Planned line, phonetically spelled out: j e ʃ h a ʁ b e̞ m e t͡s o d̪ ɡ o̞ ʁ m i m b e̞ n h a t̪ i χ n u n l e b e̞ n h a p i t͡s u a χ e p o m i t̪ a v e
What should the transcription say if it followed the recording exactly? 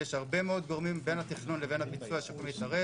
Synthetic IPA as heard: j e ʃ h a ʁ b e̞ m e o d̪ ɡ o̞ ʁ m i m b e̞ n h a t̪ i χ n u n l e v e̞ n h a p i t͡s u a ʃ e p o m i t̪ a ʁ e